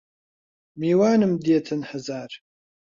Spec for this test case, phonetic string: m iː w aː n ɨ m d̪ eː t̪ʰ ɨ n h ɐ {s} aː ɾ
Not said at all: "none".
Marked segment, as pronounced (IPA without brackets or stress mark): z